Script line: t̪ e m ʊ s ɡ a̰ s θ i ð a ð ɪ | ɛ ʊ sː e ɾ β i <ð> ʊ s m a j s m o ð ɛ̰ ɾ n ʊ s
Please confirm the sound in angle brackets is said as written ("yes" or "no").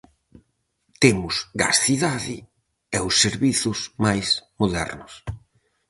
no